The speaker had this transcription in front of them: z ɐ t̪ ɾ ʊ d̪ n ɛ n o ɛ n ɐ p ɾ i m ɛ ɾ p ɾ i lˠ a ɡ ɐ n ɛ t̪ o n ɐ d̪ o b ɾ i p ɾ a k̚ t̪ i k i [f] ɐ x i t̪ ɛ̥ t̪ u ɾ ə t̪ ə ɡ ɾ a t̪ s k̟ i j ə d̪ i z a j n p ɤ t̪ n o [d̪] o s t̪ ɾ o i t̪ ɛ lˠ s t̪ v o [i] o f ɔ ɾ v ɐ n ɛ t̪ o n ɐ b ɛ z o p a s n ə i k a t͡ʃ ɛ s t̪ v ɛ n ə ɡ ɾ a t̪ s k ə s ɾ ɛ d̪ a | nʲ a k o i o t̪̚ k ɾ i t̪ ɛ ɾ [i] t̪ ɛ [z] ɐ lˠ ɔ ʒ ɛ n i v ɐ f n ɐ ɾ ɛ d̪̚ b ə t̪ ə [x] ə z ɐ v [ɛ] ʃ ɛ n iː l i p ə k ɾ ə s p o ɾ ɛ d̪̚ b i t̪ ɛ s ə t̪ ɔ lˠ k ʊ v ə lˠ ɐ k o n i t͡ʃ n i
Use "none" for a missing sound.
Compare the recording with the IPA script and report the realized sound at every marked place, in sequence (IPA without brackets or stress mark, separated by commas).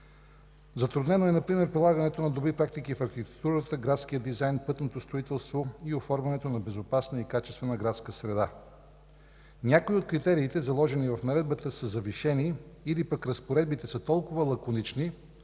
f, t̪, i, iː, z, s, i